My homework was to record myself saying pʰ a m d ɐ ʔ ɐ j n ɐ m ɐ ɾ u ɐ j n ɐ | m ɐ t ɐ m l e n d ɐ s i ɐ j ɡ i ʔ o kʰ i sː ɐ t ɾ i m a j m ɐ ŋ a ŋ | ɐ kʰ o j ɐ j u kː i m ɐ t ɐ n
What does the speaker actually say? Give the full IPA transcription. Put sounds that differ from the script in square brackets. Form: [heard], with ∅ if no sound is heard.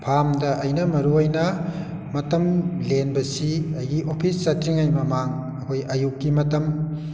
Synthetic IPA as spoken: pʰ a m d ɐ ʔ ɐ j n ɐ m ɐ ɾ u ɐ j n ɐ | m ɐ t ɐ m l e n [b] ɐ s i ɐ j ɡ i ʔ o [pʰ] i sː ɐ t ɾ i [ŋ] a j m ɐ [m] a ŋ | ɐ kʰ o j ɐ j u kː i m ɐ t ɐ [m]

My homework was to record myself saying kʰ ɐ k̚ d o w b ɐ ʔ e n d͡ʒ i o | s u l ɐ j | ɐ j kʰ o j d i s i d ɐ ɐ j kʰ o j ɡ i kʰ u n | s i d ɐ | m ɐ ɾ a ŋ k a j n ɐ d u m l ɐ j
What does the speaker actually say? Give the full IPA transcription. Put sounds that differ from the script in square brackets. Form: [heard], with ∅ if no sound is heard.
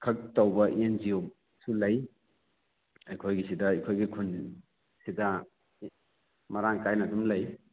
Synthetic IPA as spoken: kʰ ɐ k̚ [t] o w b ɐ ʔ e n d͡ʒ i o | s u l ɐ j | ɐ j kʰ o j [ɡ] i s i d ɐ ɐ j kʰ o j ɡ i kʰ u n | s i d ɐ | m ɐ ɾ a ŋ k a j n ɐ d u m l ɐ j

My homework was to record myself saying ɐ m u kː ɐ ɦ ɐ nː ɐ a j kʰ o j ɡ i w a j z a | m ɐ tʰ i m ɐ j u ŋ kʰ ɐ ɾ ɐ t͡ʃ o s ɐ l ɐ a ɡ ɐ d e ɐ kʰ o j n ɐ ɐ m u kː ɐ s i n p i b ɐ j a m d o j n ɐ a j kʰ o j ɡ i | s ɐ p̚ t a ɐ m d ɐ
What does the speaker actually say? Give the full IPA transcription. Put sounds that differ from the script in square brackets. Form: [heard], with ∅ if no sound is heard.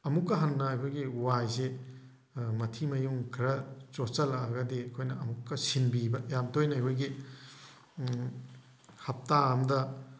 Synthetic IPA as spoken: ɐ m u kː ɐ ɦ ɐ nː ɐ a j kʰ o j ɡ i w a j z [e] | m ɐ tʰ i m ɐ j u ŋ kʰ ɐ ɾ ɐ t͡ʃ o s ɐ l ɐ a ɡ ɐ d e ɐ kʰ o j n ɐ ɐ m u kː ɐ s i n [b] i b ɐ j a m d o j n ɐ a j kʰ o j ɡ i | [h] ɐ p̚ t a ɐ m d ɐ

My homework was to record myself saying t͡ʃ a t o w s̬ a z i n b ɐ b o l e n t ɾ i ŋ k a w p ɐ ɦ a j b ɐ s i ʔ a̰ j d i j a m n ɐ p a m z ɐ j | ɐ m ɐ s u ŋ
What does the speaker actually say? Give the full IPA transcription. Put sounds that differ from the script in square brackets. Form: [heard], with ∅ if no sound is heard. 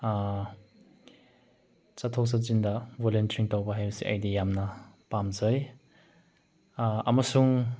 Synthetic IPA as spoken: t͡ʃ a [tʰ] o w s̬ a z i n [d] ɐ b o l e n t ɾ i ŋ [t] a w [b] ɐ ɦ a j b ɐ s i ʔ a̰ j d i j a m n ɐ p a m z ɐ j | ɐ m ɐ s u ŋ

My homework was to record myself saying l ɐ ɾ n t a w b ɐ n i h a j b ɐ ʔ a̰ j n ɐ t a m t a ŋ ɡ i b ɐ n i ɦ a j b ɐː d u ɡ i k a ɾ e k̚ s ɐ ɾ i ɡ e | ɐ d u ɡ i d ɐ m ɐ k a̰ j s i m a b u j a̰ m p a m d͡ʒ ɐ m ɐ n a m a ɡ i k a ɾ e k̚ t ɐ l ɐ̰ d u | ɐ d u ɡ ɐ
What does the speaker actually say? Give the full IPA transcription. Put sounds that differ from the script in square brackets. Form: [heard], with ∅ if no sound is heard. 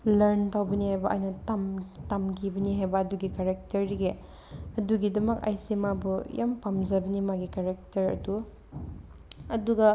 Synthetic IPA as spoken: l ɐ ɾ n t a w b ɐ n i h a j b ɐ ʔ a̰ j n ɐ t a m t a [m] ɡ i b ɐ n i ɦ a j b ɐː d u ɡ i k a ɾ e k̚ [t] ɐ ɾ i ɡ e | ɐ d u ɡ i d ɐ m ɐ k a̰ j s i m a b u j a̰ m p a m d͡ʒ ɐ [b] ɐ n [i] m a ɡ i k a ɾ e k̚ t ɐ [ɾ] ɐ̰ d u | ɐ d u ɡ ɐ

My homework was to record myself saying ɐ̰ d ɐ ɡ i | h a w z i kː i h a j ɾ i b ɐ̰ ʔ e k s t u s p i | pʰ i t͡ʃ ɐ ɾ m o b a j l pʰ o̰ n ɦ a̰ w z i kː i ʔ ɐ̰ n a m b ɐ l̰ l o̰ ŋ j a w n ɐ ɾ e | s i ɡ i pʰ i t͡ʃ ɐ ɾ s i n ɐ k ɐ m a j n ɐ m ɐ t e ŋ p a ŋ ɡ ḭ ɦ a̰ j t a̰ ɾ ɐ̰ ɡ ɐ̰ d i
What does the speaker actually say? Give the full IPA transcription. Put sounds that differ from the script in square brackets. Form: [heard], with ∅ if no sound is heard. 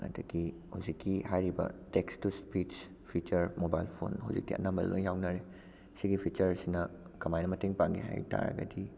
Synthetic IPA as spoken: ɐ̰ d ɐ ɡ i | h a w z i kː i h a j ɾ i b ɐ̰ [t] e k s t u s p i | pʰ i t͡ʃ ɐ ɾ m o b a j l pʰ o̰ n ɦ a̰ w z i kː i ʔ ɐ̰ n a m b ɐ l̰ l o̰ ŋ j a w n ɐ ɾ e | s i ɡ i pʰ i t͡ʃ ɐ ɾ s i n ɐ k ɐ m a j n ɐ m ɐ t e ŋ p a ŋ ɡ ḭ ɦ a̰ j t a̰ ɾ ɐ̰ ɡ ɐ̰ d i

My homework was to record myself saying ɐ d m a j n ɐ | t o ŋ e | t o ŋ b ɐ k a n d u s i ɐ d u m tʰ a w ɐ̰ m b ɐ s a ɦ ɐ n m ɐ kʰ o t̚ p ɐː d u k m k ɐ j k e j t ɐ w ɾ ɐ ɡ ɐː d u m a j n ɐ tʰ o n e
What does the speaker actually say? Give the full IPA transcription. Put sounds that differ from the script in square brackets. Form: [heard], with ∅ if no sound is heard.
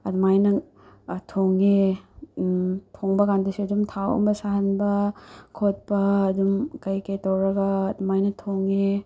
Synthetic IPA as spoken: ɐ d m a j n ɐ | [tʰ] o ŋ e | [tʰ] o ŋ b ɐ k a n d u s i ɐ d u m tʰ a w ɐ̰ m b ɐ s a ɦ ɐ n [b] ɐ kʰ o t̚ p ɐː d u [∅] m k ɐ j k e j t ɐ w ɾ ɐ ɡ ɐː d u m a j n ɐ tʰ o [ŋ] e

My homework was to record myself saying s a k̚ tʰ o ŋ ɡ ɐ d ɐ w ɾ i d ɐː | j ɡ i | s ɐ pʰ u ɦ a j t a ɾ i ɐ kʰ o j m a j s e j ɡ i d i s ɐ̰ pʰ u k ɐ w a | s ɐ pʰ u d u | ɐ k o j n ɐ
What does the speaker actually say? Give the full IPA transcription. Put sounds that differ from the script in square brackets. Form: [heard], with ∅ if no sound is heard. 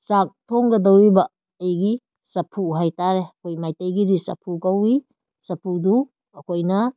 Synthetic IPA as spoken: s a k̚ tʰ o ŋ ɡ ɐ d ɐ w ɾ i [b] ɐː | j ɡ i | s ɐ pʰ u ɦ a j t a ɾ [e] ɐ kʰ o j m a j [t] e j ɡ i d i s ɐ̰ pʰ u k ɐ w [i] | s ɐ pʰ u d u | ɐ k o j n ɐ

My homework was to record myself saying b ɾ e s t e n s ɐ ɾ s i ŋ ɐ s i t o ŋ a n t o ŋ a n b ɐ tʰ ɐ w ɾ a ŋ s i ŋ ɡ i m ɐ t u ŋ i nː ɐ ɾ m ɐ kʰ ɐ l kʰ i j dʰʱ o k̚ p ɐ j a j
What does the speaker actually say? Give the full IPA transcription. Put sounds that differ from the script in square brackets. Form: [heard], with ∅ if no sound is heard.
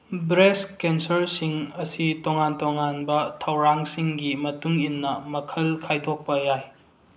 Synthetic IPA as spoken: b ɾ e s [k] e n s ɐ ɾ s i ŋ ɐ s i t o ŋ a n t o ŋ a n b ɐ tʰ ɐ w ɾ a ŋ s i ŋ ɡ i m ɐ t u ŋ i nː ɐ [∅] m ɐ kʰ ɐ l kʰ [a] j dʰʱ o k̚ p ɐ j a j

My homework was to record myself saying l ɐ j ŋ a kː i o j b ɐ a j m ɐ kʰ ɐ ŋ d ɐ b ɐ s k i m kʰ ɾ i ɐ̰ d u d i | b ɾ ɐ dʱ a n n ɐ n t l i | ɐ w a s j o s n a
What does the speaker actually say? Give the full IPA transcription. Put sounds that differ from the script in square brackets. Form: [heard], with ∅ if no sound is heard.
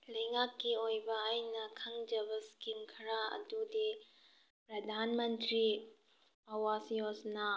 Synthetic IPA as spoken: l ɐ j ŋ a kː i o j b ɐ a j [n] ɐ kʰ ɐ ŋ [d͡ʒ] ɐ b ɐ s k i m kʰ ɾ [a] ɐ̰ d u d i | [p] ɾ ɐ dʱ a n [m] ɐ n t [ɾ] i | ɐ w a s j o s n a

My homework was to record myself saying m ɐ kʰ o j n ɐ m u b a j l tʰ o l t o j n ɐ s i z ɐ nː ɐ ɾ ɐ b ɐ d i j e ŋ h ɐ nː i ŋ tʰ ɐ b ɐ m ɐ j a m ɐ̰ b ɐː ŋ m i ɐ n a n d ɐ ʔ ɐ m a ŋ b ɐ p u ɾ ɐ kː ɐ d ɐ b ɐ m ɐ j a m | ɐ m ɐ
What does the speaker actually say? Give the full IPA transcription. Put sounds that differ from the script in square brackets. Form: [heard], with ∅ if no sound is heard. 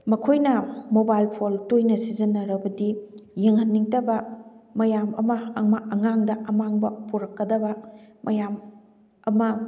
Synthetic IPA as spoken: m ɐ kʰ o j n ɐ m [o] b a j l [pʰ] o l t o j n ɐ s i z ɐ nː ɐ ɾ ɐ b ɐ d i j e ŋ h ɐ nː i ŋ [t] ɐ b ɐ m ɐ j a m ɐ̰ [m] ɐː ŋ m [a] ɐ [ŋ] a [ŋ] d ɐ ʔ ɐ m a ŋ b ɐ p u ɾ ɐ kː ɐ d ɐ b ɐ m ɐ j a m | ɐ m ɐ

